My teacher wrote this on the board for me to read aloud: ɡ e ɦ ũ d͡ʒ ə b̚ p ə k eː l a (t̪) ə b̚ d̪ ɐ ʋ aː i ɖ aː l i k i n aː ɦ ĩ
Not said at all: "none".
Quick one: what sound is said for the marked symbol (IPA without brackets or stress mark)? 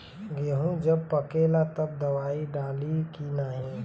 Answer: t̪